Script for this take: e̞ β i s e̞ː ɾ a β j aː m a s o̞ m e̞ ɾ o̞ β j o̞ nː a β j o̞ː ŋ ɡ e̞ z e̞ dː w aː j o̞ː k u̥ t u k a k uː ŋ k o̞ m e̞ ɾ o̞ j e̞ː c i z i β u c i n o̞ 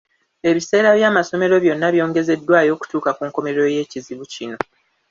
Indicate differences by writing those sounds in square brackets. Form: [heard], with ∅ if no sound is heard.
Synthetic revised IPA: e̞ β i s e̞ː ɾ a β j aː m a s o̞ m e̞ ɾ o̞ β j o̞ nː a β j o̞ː ŋ ɡ e̞ z e̞ dː w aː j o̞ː k u̥ t [uː] k a k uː ŋ k o̞ m e̞ ɾ o̞ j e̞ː c i z i β u c i n o̞